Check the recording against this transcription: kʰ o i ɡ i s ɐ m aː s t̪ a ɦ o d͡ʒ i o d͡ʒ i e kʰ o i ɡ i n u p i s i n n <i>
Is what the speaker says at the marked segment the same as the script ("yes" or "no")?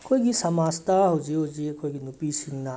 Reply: no